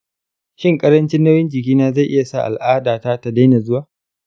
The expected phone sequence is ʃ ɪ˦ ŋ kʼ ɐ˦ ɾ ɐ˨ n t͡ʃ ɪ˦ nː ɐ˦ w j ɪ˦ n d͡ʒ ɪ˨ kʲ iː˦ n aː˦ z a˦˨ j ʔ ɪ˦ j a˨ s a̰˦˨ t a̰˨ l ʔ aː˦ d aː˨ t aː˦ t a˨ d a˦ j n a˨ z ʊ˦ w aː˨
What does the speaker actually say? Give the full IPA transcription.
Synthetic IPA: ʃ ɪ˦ ŋ kʼ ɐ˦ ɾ ɐ˦ n t͡ʃ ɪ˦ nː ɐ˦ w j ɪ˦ n d͡ʒ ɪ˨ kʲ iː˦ n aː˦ z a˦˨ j ʔ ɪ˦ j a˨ s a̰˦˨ ʔ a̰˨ l ʔ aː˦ d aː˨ t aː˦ t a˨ d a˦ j n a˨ z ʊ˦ w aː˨